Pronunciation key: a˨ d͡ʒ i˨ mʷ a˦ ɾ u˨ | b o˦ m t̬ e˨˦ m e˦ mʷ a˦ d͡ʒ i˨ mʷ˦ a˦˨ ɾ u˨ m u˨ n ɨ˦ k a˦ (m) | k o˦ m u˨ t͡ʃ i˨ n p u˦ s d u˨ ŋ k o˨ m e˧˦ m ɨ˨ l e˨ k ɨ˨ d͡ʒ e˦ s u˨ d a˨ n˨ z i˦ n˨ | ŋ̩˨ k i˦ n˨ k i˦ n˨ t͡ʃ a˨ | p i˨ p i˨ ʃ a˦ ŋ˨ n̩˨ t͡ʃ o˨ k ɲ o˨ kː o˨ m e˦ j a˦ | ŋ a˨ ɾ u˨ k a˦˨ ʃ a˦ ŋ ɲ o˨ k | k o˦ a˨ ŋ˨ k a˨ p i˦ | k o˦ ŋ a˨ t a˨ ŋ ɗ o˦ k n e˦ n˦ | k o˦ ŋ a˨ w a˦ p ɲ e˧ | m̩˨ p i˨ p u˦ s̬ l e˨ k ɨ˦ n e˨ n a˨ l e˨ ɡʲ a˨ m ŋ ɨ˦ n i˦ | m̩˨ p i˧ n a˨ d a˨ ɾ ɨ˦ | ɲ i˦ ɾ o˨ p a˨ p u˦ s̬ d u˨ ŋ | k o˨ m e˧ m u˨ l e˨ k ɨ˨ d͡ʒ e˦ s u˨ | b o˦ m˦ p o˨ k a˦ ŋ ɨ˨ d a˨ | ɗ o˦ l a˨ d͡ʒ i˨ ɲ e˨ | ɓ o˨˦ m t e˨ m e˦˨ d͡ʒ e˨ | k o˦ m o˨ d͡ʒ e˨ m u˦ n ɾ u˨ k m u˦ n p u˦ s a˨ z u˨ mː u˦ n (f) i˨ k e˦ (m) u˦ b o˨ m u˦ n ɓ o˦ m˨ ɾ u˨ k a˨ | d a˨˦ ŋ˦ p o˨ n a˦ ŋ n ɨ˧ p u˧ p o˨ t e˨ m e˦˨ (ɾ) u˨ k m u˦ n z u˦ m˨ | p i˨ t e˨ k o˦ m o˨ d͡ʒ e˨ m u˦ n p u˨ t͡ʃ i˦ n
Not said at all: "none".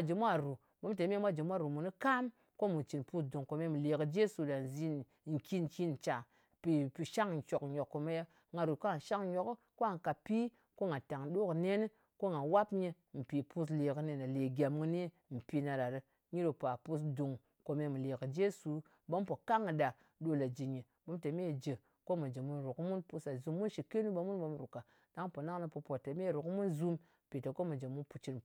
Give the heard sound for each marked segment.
m, ʃ, n, ɾ

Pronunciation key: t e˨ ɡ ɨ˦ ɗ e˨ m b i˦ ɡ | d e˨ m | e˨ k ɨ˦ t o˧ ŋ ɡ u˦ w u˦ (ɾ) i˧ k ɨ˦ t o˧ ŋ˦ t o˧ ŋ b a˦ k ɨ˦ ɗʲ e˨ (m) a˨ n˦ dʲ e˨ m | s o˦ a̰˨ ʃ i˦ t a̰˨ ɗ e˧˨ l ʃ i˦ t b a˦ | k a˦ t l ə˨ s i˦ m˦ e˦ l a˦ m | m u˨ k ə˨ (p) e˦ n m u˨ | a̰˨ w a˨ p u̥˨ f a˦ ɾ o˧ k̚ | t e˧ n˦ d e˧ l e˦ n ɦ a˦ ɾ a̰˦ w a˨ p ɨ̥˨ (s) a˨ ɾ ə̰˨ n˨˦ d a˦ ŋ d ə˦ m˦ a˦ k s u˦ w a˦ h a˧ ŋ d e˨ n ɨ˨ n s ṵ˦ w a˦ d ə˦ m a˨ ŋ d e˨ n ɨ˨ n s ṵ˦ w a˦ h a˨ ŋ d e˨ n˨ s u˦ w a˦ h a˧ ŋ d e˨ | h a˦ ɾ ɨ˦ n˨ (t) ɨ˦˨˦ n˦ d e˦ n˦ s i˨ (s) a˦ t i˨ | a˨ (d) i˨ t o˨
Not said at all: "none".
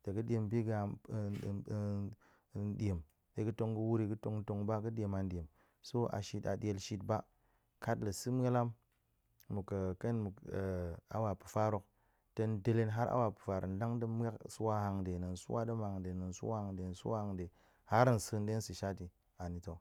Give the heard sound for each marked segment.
ɾ, m, k, f, s, ʃ, n

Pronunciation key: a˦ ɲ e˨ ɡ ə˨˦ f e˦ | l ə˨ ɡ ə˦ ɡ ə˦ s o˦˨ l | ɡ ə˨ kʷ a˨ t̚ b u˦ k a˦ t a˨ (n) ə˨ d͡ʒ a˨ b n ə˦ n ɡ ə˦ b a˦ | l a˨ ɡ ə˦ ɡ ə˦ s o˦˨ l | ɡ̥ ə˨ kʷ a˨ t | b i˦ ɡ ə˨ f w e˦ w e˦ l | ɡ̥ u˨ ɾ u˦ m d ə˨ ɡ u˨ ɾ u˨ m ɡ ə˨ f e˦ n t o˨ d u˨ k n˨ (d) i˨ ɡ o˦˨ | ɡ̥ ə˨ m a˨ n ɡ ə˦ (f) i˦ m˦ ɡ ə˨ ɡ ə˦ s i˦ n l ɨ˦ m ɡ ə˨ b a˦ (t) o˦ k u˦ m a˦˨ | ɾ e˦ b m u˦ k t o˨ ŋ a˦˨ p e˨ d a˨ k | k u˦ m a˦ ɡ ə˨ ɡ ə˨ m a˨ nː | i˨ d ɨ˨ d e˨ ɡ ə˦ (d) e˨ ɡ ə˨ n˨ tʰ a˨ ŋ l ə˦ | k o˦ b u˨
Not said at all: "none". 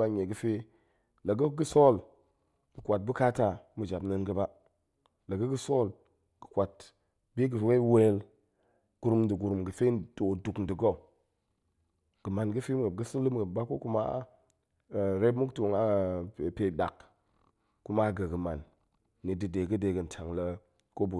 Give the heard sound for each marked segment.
m, d, f, k, d

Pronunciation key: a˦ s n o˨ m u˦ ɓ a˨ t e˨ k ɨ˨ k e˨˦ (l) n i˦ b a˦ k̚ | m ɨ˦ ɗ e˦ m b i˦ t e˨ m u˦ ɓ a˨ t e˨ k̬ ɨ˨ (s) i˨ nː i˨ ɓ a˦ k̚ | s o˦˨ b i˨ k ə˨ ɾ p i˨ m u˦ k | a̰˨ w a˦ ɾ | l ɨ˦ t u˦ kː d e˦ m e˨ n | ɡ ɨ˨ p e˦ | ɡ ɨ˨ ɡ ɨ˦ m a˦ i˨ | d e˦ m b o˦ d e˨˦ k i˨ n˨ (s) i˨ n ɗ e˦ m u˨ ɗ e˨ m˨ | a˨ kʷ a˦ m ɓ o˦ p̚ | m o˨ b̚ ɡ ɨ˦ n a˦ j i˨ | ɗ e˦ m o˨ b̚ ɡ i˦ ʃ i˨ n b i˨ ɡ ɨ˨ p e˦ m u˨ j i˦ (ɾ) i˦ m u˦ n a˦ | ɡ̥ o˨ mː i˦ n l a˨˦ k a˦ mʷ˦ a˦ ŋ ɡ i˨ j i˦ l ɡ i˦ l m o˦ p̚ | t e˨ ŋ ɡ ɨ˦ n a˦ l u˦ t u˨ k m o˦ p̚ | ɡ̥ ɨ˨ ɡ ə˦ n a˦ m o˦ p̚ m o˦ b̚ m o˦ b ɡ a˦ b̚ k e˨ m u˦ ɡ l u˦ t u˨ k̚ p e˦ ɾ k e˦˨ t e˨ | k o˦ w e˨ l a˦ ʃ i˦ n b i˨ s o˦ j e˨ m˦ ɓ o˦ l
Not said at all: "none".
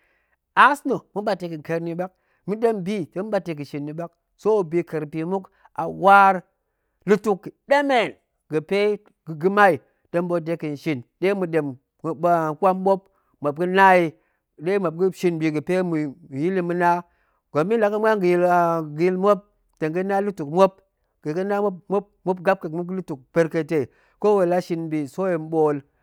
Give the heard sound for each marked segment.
ɾ, ʃ, ʃ, l

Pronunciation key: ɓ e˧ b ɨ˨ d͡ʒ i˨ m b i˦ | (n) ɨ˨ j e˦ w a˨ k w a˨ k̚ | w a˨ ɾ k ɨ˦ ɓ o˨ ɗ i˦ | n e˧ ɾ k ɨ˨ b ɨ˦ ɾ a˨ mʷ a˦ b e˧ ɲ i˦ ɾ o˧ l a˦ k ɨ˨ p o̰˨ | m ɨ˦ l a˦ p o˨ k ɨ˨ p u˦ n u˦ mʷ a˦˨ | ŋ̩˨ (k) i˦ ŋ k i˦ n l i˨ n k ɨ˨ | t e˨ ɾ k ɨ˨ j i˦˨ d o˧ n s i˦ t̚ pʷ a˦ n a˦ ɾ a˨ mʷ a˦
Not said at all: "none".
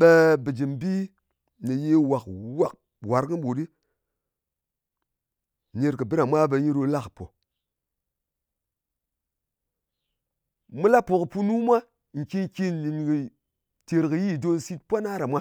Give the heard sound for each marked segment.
n, k

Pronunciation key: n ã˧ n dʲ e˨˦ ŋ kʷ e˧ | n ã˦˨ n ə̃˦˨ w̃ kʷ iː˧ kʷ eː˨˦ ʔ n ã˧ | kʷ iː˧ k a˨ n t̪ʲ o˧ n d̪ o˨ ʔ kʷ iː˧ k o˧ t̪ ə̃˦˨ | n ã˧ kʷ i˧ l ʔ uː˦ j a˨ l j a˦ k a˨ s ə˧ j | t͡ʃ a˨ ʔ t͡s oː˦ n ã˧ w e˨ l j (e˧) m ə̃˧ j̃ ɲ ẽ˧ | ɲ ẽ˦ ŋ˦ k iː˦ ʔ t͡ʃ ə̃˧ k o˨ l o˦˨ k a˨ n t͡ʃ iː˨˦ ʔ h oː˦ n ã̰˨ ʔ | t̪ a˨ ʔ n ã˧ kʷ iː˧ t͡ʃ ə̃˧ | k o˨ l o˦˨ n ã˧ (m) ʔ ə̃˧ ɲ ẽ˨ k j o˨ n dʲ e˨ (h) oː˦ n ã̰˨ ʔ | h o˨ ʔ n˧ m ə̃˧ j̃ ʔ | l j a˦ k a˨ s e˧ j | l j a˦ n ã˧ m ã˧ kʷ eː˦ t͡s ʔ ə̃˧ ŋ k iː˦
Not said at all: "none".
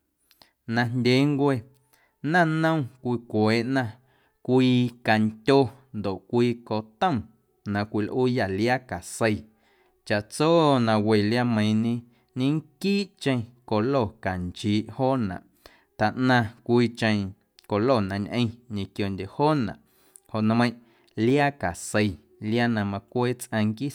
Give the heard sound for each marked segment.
a˧, ɲ, h

